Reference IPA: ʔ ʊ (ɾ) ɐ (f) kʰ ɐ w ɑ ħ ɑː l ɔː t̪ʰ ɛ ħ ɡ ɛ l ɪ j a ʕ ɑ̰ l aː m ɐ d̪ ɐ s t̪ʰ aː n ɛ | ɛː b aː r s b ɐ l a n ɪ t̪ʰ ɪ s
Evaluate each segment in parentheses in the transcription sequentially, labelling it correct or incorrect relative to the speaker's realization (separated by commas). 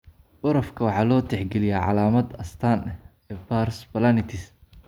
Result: correct, correct